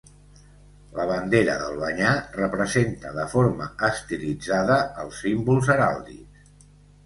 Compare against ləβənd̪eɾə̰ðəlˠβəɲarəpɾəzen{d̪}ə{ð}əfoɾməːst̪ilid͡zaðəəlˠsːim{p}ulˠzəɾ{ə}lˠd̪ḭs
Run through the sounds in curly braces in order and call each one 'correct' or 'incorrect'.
incorrect: t̪, correct, incorrect: b, incorrect: a

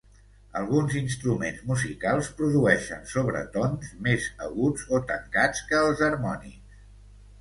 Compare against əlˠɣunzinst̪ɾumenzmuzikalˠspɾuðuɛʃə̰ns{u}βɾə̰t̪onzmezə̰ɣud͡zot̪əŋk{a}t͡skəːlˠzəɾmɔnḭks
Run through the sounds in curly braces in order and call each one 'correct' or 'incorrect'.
incorrect: o, correct

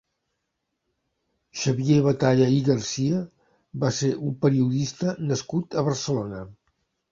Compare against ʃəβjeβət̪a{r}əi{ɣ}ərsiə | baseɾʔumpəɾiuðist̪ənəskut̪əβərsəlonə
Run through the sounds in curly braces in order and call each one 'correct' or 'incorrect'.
incorrect: ʎ, correct

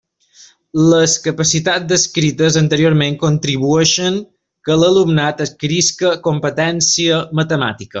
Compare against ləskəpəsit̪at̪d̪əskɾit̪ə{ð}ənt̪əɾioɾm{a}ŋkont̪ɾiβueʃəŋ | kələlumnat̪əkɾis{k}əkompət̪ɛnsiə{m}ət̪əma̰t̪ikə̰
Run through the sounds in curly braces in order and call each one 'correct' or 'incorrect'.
incorrect: z, incorrect: e, correct, correct

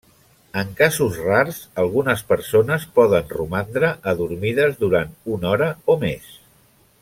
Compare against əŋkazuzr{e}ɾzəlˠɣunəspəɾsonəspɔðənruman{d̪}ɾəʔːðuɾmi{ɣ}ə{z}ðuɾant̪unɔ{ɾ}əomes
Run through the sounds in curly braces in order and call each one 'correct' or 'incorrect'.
incorrect: a, correct, incorrect: ð, correct, correct

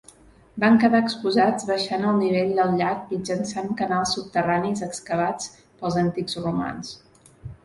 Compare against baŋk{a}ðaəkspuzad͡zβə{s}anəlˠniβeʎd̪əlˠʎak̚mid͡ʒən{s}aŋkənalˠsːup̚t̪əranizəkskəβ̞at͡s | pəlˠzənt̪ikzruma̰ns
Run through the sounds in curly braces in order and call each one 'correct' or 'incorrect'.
incorrect: ə, incorrect: ʃ, correct

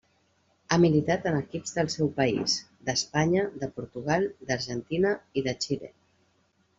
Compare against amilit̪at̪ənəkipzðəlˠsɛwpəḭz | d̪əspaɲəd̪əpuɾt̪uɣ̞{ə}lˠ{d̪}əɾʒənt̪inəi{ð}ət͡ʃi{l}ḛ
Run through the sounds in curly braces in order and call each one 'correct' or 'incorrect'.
incorrect: a, correct, correct, correct

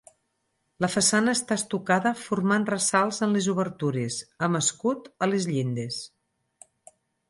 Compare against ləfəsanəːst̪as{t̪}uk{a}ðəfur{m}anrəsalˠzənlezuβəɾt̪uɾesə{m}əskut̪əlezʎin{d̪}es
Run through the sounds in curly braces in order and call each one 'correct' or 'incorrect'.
correct, correct, correct, correct, correct

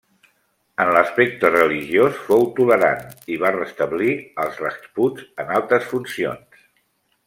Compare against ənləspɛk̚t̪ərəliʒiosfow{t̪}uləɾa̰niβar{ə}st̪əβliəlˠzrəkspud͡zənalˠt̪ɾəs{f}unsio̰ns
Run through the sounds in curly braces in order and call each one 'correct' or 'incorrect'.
correct, correct, correct

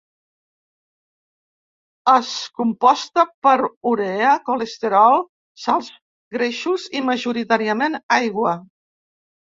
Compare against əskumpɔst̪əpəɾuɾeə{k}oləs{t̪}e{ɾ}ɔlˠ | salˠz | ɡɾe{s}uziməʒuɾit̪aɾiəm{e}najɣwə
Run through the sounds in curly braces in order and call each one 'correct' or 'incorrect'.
correct, correct, correct, incorrect: ʃ, correct

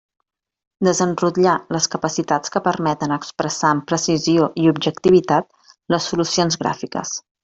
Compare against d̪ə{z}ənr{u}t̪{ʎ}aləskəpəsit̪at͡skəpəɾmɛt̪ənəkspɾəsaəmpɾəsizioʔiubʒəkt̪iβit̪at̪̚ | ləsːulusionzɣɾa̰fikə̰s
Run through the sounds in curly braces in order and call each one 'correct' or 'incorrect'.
correct, correct, correct

